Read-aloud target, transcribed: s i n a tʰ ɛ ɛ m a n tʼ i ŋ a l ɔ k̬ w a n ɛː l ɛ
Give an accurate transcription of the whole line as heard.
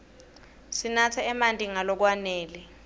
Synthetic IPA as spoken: s i n a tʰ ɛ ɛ m a n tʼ i ŋ a l ɔ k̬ w a n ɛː l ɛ